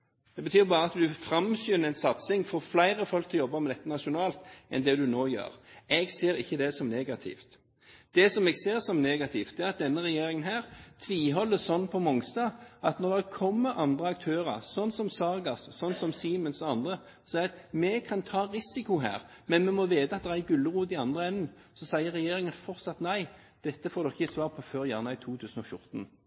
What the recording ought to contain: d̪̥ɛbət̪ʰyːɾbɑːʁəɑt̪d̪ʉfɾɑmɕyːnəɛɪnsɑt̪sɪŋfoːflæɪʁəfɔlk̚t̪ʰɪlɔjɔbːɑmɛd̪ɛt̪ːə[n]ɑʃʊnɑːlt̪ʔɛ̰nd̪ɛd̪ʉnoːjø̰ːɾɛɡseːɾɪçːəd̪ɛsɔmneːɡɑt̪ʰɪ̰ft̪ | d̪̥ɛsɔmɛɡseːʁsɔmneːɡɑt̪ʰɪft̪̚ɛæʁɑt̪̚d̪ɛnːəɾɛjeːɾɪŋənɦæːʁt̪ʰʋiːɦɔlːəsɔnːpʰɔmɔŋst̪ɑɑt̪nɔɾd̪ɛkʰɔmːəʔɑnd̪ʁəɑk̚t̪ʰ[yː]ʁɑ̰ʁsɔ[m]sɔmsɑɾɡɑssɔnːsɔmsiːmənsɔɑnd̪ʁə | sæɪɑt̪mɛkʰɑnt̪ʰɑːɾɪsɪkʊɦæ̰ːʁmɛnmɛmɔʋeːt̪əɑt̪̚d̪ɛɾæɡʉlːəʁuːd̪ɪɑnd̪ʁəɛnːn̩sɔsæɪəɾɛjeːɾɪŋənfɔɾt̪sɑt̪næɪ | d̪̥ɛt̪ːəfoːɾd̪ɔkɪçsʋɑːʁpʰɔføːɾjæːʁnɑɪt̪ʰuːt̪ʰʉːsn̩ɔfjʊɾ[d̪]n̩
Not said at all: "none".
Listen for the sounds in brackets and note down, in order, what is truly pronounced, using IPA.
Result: n, øː, n, t̪

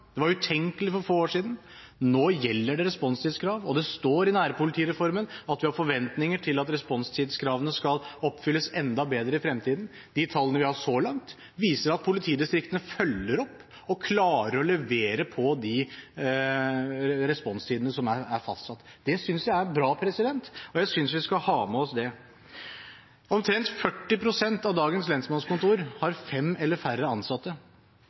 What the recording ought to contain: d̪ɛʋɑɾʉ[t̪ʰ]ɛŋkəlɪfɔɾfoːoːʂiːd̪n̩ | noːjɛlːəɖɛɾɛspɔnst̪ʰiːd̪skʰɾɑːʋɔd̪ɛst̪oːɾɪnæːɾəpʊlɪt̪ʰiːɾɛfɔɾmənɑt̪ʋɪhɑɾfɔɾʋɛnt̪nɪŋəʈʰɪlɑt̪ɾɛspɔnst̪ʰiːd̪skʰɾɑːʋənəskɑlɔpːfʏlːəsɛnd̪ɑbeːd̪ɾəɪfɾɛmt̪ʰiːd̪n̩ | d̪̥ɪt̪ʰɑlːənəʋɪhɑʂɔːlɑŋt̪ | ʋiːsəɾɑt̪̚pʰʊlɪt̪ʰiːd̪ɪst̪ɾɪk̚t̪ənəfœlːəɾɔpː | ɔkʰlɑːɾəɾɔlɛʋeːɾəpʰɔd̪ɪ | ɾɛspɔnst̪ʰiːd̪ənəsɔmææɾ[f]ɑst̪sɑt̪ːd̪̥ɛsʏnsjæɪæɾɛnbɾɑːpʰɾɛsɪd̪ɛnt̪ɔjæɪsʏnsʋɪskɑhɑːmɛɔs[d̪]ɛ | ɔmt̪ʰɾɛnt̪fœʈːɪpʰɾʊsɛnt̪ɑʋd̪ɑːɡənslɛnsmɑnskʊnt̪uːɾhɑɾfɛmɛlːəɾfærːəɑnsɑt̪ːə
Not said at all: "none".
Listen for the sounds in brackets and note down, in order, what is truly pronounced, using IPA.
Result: t̪ʰ, f, d̪

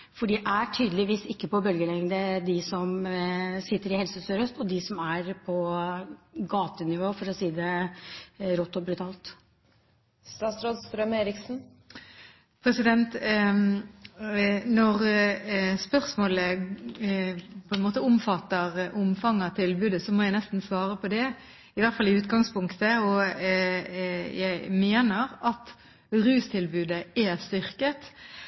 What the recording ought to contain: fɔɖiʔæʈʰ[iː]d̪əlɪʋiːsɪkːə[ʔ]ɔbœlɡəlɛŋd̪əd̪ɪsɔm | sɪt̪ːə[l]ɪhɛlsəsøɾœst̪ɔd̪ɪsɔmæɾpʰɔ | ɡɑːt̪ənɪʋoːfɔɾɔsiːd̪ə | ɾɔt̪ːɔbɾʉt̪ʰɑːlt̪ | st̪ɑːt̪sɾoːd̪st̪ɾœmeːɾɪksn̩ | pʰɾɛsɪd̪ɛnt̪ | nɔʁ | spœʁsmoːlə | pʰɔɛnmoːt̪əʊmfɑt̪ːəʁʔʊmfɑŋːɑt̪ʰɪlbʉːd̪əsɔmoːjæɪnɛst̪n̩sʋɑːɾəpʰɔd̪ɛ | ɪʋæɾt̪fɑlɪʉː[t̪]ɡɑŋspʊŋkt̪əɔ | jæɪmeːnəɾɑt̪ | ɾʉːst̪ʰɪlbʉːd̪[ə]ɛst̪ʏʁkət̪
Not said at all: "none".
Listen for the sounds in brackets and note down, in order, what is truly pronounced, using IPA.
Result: yː, p, ɾ, t̪, ə

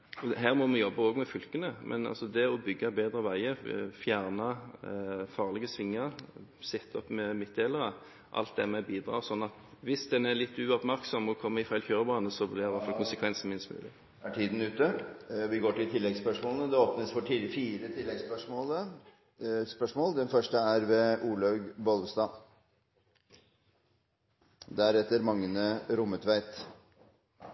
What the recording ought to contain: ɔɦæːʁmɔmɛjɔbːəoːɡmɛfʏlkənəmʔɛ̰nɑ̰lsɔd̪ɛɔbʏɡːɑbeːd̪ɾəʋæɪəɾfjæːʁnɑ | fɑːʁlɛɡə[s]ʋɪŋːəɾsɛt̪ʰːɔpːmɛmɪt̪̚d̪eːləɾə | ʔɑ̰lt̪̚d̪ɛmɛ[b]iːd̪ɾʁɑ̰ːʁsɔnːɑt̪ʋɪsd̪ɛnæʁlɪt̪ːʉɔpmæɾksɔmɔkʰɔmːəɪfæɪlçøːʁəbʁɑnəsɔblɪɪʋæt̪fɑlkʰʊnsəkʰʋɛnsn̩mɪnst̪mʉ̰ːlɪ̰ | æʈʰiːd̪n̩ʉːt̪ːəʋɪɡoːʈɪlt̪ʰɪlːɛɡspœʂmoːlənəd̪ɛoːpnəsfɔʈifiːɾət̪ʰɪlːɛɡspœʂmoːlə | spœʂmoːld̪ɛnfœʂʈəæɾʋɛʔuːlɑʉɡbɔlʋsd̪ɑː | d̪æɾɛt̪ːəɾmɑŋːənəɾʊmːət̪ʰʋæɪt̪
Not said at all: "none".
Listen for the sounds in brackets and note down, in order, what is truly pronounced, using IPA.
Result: s, b

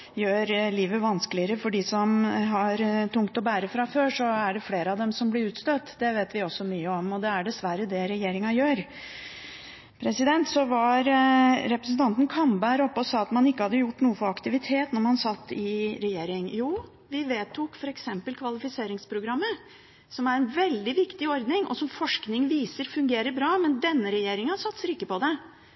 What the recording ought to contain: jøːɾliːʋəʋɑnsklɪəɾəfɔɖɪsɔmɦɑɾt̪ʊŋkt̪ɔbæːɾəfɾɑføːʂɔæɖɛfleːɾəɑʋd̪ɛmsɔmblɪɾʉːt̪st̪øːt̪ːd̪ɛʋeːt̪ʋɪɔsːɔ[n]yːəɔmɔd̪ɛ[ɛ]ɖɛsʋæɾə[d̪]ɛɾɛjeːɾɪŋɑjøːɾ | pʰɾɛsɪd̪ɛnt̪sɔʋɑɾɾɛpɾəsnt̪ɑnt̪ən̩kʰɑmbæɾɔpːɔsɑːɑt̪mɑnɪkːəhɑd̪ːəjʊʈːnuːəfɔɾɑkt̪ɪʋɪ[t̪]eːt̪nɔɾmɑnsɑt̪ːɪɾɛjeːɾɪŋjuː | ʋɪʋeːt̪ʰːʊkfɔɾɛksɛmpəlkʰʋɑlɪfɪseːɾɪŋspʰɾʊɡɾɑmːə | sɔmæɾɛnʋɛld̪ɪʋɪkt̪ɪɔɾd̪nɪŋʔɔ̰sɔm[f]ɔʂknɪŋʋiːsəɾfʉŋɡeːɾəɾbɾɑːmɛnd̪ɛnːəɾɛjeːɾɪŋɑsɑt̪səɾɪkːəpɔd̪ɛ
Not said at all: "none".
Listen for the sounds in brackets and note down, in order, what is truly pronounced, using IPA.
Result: m, æ, d̪, t̪ʰ, f

